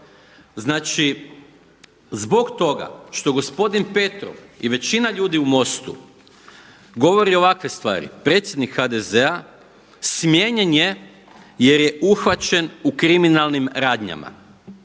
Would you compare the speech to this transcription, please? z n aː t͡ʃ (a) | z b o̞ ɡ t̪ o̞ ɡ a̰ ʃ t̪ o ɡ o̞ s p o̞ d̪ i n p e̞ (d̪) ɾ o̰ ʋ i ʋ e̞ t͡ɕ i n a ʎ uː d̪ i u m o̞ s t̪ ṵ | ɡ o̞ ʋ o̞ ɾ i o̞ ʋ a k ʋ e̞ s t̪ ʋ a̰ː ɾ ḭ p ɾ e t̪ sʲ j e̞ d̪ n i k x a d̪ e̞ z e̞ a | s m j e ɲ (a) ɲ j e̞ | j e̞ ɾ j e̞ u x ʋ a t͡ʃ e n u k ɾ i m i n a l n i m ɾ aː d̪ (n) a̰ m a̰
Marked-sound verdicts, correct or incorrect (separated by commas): incorrect, incorrect, incorrect, incorrect